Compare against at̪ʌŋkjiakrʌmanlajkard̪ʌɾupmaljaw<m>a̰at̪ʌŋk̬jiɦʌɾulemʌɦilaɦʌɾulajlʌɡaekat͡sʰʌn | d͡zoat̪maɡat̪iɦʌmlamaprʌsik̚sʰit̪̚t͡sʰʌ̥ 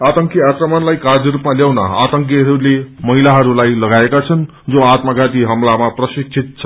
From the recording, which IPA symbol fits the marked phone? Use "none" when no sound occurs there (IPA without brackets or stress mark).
n